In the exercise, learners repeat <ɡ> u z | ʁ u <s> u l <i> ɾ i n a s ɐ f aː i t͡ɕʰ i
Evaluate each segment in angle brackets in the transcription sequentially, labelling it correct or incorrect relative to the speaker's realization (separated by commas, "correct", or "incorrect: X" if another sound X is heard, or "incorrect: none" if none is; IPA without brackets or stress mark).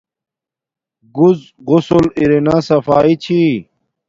correct, correct, correct